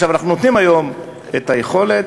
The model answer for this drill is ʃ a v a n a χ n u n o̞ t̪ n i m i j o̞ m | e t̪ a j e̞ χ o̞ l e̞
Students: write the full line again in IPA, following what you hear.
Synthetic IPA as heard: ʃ a v a n a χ n u n o̞ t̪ n i m a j o̞ m | e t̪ a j e̞ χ o̞ l e̞